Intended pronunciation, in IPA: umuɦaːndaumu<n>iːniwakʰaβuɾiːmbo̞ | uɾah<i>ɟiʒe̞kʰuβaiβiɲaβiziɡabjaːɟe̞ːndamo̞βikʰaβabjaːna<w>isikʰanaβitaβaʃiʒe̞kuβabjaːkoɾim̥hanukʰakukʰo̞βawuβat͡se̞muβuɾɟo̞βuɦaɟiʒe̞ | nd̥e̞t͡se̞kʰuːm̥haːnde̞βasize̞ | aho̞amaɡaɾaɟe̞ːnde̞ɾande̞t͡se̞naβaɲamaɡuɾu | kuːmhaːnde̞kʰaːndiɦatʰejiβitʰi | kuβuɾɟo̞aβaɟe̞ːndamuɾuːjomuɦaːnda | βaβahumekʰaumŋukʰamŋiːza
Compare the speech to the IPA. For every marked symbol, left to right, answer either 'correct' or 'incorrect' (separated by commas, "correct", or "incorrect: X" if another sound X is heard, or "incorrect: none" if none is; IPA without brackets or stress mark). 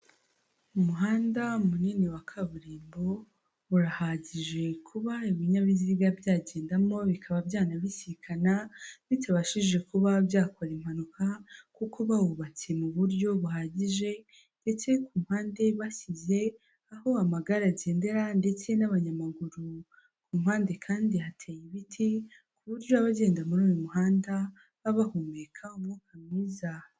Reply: correct, incorrect: a, incorrect: β